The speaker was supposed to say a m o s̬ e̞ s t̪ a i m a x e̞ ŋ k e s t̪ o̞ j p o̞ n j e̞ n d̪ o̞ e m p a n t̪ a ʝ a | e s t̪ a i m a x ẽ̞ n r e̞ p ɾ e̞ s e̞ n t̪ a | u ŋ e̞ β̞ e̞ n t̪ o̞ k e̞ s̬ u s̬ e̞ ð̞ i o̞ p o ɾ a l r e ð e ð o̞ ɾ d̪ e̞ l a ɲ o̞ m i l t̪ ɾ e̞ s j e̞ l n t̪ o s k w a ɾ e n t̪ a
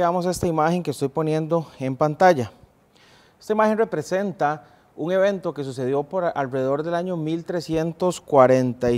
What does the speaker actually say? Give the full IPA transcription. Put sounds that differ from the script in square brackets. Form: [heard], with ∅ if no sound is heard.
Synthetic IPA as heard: a m o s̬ e̞ s t̪ a i m a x e̞ ŋ k e s t̪ o̞ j p o̞ n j e̞ n d̪ o̞ e m p a n t̪ a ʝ a | e s t̪ a i m a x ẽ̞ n r e̞ p ɾ e̞ s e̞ n t̪ a | u ŋ e̞ β̞ e̞ n t̪ o̞ k e̞ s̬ u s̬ e̞ ð̞ [j] o̞ p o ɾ a l r e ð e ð o̞ ɾ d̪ e̞ l a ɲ o̞ m i l t̪ ɾ e̞ s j e̞ [∅] n t̪ o s k w a ɾ e n t̪ a